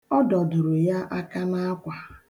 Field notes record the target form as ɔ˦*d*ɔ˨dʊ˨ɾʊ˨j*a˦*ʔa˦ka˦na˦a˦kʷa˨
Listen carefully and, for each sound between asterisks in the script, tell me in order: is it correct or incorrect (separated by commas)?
correct, correct